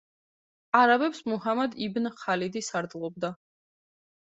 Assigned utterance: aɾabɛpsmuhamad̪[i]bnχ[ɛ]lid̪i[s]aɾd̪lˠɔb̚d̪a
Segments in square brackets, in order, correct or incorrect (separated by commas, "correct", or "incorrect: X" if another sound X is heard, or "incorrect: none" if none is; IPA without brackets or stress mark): correct, incorrect: a, correct